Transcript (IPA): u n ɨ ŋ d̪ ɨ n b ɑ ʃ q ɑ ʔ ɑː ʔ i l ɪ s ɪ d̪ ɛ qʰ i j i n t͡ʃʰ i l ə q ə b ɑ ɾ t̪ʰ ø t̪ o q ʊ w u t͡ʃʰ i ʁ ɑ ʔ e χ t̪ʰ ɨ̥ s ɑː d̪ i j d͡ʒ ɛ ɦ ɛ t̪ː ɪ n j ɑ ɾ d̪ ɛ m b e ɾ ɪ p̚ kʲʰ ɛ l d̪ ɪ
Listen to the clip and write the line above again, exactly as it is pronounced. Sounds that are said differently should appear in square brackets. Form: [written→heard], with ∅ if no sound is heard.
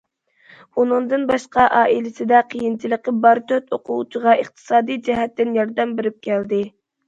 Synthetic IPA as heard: u n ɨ ŋ d̪ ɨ n b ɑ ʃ q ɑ ʔ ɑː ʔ i l ɪ s ɪ d̪ ɛ qʰ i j i n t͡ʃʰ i l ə q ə b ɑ ɾ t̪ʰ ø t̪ o q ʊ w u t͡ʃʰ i ʁ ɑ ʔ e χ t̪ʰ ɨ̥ s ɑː d̪ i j d͡ʒ ɛ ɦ ɛ t̪ː ɪ n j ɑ ɾ d̪ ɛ m b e ɾ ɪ p̚ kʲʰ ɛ l d̪ ɪ